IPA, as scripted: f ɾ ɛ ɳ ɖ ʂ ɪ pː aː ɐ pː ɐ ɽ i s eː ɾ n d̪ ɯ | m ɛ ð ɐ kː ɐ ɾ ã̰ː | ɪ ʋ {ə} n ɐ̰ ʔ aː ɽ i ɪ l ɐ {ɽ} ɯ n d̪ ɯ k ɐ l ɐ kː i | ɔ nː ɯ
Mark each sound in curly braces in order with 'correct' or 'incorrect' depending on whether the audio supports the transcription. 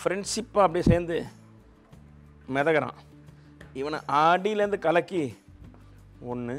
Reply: incorrect, incorrect

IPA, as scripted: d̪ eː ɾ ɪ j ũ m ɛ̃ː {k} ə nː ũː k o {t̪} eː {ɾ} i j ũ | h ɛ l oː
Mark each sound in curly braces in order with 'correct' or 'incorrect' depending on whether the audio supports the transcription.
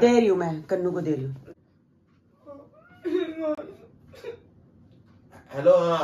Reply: correct, incorrect, correct

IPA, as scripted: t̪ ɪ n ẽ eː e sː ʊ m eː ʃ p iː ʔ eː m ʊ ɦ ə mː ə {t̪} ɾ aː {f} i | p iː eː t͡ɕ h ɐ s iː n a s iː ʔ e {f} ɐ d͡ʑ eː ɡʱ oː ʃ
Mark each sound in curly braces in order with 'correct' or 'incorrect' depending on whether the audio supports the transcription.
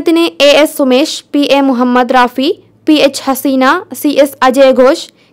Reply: incorrect, correct, incorrect

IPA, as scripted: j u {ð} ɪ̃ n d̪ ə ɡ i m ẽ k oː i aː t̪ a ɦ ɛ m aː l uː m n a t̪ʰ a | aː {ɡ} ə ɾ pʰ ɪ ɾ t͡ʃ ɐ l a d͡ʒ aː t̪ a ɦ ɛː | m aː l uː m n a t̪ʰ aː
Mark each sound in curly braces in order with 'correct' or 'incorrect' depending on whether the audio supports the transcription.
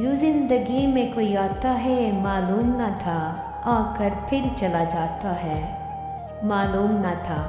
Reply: incorrect, incorrect

